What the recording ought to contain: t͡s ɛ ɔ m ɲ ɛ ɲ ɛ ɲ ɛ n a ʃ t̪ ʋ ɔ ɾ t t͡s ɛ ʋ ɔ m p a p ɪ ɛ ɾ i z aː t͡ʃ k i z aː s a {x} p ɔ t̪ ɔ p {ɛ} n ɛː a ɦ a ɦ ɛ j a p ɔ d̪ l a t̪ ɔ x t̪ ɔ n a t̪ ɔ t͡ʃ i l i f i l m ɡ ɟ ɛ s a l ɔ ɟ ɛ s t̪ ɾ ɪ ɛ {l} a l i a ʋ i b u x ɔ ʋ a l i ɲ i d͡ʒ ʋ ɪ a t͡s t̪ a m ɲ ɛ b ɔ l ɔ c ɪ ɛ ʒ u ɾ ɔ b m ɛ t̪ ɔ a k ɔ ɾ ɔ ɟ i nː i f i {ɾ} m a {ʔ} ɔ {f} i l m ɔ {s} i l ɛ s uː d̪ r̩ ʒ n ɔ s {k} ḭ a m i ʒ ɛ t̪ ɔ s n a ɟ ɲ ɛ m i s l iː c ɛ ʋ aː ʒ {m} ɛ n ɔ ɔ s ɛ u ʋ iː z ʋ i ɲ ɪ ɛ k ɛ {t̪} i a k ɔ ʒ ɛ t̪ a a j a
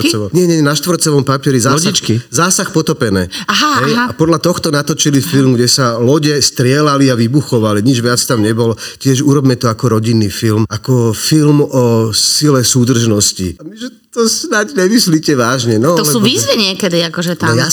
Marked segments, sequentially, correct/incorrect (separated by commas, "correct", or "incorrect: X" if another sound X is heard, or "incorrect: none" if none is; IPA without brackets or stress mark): correct, correct, correct, incorrect: l, incorrect: k, correct, correct, incorrect: c, incorrect: ɲ, incorrect: d̪